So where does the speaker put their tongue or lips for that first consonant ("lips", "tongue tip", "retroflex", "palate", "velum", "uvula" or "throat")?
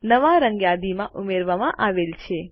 tongue tip